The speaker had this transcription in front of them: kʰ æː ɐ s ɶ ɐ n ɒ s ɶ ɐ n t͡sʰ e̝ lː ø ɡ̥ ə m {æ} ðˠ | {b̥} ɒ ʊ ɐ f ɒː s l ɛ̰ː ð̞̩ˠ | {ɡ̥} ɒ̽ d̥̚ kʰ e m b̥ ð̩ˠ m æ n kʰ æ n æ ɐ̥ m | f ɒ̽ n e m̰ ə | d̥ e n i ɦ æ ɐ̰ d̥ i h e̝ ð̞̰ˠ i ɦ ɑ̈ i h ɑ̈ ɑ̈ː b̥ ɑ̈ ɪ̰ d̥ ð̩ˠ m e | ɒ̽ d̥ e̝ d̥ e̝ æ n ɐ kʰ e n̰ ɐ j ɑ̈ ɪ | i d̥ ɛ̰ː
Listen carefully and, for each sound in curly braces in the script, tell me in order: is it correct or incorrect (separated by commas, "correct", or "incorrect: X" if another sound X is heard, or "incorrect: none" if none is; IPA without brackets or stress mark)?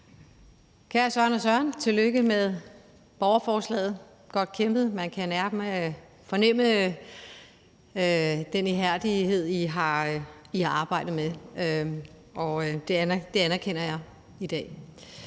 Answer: incorrect: e, correct, correct